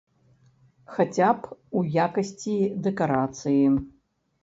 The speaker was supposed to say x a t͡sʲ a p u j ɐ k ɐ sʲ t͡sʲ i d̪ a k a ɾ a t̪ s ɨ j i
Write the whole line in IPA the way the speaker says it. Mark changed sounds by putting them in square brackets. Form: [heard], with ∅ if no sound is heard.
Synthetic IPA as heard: x a t͡sʲ a p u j [a] k ɐ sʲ t͡sʲ i d̪ [ɛ] k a ɾ a t̪ s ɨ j i